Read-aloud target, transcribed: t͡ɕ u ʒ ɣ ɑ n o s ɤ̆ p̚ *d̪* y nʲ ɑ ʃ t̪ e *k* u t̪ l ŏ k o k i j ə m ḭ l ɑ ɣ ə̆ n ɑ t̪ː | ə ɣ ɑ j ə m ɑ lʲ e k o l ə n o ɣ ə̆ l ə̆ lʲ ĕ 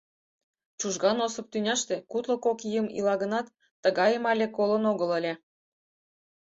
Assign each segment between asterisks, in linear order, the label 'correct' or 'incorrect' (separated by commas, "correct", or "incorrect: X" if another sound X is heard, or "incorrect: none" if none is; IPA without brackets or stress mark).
incorrect: t̪, correct